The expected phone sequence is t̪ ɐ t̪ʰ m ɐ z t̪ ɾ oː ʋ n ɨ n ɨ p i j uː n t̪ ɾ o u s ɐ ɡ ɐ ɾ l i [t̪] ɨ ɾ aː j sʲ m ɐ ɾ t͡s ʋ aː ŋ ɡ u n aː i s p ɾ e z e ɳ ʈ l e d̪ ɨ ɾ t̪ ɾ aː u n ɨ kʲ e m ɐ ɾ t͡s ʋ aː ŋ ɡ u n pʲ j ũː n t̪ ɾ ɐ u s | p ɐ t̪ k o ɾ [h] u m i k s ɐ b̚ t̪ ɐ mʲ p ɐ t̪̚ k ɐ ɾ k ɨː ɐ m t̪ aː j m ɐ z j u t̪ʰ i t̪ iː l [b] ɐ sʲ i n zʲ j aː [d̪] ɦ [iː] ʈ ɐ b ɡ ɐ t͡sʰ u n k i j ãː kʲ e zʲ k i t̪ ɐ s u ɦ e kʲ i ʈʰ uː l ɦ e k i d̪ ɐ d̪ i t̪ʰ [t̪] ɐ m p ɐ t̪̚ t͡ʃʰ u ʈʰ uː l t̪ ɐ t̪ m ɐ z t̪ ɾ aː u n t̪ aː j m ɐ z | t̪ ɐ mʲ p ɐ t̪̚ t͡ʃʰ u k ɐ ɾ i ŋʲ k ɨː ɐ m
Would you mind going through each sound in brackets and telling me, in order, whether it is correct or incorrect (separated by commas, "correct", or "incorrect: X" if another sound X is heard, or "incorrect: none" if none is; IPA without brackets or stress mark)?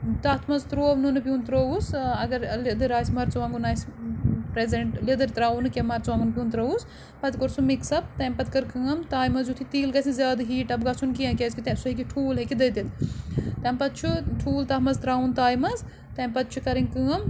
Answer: incorrect: d̪, incorrect: s, incorrect: ɡ, correct, correct, correct